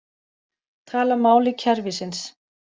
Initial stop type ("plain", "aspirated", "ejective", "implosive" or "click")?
aspirated